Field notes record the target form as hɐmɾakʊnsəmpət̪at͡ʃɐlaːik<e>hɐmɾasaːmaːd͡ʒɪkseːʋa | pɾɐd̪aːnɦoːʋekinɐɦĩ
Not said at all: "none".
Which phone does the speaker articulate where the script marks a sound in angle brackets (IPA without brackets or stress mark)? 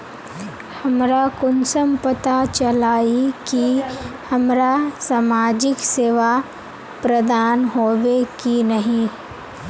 i